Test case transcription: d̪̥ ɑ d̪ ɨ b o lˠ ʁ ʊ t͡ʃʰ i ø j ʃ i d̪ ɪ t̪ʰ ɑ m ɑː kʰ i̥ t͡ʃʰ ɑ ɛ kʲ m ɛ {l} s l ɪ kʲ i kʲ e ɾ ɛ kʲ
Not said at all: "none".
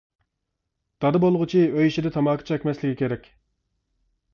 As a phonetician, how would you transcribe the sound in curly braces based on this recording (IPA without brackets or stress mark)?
none